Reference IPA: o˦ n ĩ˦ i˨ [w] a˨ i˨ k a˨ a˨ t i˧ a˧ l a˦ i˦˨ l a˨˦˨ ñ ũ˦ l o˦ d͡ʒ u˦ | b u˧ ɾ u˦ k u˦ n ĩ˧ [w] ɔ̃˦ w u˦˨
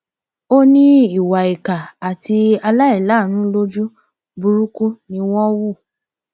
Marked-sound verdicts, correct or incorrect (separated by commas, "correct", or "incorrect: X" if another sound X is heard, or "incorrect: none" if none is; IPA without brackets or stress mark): correct, correct